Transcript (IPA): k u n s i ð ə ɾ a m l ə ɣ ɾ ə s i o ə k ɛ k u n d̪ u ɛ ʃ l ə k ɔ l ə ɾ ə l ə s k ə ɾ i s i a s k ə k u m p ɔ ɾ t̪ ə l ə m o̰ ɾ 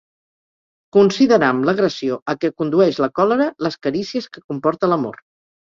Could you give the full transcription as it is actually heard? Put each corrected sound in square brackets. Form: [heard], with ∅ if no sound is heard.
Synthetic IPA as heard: k u n s i ð ə ɾ a m l ə ɣ ɾ ə s i o ə k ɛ k u n d̪ u ɛ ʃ l ə k ɔ l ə ɾ ə l ə s k ə ɾ i s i [ə] s k ə k u m p ɔ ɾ t̪ ə l ə m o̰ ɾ